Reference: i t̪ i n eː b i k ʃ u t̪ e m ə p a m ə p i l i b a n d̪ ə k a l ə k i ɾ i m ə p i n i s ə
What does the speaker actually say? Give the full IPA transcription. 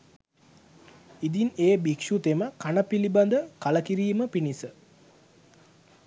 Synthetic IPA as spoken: i d̪ i n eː b i k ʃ u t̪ e m ə k a n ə p i l i b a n d̪ ə k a l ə k i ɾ iː m ə p i n i s ə